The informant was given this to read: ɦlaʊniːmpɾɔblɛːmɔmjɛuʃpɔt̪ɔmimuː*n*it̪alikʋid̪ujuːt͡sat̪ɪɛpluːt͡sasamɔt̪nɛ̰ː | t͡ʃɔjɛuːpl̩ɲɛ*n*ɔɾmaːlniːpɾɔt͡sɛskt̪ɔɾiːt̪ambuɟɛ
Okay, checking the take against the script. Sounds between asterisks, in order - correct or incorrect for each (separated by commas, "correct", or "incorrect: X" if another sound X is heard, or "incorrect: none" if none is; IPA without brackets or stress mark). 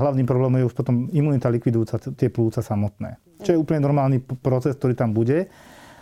correct, correct